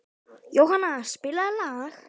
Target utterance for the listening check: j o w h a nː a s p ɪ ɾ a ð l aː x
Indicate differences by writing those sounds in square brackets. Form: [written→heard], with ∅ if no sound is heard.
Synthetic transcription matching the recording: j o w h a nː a s p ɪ [ɾ→l] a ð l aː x